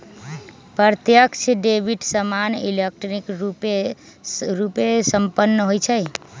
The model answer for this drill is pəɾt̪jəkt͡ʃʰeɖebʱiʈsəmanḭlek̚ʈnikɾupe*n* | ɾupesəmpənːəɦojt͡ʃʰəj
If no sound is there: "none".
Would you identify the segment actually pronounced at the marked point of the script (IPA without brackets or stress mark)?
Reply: none